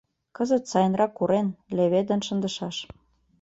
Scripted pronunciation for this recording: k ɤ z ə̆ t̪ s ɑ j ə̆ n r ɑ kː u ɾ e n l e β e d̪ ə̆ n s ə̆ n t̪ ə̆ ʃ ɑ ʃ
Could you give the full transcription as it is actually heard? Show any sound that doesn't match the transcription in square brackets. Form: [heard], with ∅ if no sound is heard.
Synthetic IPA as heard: k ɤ z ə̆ t̪ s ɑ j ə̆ n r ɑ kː u ɾ e n l e β e d̪ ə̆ n [ʃ] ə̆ n [d̪] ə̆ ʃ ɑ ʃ